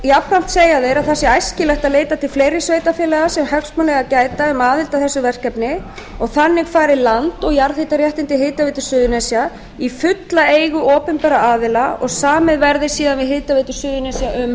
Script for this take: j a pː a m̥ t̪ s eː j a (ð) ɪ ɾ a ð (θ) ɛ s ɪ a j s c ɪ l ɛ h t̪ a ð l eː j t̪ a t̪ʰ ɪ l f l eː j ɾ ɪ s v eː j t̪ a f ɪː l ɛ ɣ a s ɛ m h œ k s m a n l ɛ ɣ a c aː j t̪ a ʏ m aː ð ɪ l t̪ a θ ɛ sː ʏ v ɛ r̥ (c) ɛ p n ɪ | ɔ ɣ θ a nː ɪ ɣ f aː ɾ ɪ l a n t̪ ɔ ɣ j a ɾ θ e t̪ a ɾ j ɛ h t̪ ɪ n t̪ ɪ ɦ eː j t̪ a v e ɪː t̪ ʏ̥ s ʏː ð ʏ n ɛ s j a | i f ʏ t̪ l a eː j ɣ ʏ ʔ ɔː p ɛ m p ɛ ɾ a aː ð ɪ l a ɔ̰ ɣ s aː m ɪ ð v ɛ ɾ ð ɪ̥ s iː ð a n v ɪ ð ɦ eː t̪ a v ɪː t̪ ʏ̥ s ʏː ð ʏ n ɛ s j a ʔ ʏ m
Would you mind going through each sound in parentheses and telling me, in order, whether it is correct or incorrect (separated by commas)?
correct, correct, incorrect